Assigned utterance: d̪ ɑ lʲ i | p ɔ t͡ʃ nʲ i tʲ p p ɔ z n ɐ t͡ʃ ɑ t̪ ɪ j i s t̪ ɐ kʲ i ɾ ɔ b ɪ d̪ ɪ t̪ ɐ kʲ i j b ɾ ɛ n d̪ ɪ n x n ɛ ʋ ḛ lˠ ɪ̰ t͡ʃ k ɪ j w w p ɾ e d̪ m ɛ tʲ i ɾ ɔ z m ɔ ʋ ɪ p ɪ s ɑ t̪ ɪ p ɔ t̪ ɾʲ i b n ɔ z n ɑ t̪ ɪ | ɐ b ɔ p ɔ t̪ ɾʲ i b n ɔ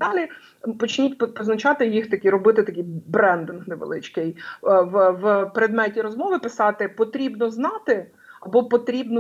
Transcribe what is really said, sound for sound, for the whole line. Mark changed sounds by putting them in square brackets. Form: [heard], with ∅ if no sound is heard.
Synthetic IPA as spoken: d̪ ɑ lʲ i | p ɔ t͡ʃ nʲ i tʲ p p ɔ z n ɐ t͡ʃ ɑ t̪ ɪ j i [x] t̪ ɐ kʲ i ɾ ɔ b ɪ [t̪] ɪ t̪ ɐ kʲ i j b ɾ ɛ n d̪ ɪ n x n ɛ ʋ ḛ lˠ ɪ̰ t͡ʃ k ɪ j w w p ɾ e d̪ m ɛ tʲ i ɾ ɔ z m ɔ ʋ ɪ p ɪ s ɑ t̪ ɪ p ɔ t̪ ɾʲ i b n ɔ z n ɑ t̪ ɪ | ɐ b ɔ p ɔ t̪ ɾʲ i b n ɔ